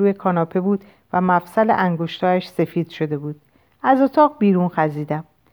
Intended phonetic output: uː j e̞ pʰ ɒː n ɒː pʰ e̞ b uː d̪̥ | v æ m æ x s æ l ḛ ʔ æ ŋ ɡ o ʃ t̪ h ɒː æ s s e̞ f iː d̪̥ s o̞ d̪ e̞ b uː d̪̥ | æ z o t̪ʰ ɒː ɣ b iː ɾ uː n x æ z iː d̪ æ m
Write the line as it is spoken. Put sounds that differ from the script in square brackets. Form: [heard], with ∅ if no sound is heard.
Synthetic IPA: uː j e̞ [kʰ] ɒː n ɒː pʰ e̞ b uː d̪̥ | v æ m æ [f] s æ l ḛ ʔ æ ŋ ɡ o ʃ t̪ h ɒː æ [ʃ] s e̞ f iː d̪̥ [ʃ] o̞ d̪ e̞ b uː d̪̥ | æ z o t̪ʰ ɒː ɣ b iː ɾ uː n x æ z iː d̪ æ m